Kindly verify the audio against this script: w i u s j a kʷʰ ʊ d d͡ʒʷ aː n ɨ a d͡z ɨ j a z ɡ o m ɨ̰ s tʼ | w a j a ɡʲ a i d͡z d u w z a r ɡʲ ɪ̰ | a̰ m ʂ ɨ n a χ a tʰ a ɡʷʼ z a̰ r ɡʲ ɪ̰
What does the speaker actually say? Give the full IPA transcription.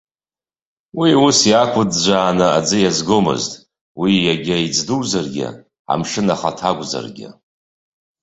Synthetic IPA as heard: w i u s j a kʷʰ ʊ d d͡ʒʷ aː n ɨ a d͡z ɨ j a z ɡ o m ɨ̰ z tʼ | w i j a ɡʲ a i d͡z d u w z a r ɡʲ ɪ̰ | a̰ m ʂ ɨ n a χ a tʰ a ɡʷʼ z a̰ r ɡʲ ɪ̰